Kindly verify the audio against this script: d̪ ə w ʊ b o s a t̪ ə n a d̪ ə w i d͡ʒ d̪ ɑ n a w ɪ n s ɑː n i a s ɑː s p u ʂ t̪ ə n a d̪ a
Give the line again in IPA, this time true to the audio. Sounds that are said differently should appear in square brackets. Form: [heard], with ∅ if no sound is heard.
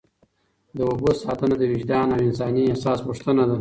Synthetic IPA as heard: d̪ ə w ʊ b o s [ɑ] t̪ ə n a d̪ ə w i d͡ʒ d̪ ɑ n a w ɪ n s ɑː n i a s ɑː s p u ʂ t̪ ə n a d̪ a